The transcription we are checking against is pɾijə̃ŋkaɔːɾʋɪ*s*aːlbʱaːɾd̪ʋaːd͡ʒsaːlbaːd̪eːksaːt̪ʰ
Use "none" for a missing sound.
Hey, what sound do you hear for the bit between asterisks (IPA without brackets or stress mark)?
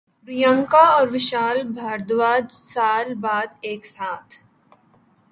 ʃ